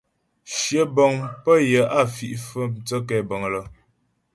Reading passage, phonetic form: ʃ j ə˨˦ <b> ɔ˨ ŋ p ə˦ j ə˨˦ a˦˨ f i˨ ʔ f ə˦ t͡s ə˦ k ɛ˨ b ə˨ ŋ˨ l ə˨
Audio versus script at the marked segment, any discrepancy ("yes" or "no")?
no